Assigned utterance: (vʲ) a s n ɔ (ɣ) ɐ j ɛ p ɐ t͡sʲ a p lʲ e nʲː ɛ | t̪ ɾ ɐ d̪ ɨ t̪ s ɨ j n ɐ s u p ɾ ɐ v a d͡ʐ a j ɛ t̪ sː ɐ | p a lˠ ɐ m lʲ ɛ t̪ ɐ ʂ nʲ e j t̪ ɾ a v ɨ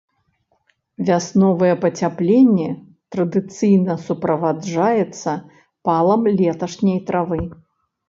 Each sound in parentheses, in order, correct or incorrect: correct, incorrect: v

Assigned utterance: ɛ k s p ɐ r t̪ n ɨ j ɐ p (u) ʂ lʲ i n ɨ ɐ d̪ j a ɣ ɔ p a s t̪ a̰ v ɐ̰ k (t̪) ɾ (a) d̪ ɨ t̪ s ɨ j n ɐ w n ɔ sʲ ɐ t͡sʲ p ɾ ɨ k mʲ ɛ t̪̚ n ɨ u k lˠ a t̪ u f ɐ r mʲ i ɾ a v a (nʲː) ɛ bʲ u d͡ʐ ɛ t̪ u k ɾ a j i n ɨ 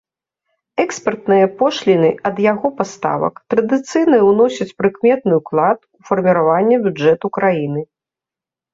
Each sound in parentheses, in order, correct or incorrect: incorrect: ɔ, correct, incorrect: ɐ, correct

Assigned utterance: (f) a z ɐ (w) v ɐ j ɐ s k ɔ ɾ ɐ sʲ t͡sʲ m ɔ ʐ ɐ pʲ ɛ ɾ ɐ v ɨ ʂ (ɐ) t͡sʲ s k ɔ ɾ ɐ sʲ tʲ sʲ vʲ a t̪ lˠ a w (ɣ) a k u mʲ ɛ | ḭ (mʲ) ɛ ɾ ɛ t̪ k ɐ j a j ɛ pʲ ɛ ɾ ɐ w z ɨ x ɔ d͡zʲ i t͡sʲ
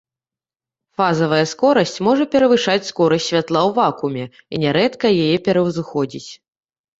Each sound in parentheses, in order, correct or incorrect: correct, incorrect: none, incorrect: a, incorrect: v, incorrect: nʲ

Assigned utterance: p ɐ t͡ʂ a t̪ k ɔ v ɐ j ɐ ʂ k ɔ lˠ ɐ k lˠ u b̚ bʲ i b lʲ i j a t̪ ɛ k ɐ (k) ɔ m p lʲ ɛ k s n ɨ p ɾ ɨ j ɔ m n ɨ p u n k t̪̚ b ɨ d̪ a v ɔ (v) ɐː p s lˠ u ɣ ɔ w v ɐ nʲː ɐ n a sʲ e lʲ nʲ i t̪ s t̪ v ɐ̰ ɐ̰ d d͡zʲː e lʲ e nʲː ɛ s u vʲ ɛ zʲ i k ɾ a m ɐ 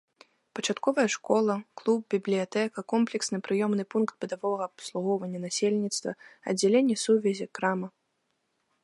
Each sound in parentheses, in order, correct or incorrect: correct, incorrect: ɣ

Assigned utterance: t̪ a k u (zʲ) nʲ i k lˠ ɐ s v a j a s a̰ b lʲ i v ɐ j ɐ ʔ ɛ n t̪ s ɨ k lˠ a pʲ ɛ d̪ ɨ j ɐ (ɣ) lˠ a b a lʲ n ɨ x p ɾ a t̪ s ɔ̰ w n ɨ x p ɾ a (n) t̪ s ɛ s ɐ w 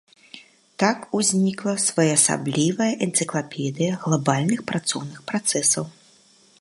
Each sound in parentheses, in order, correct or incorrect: correct, correct, incorrect: none

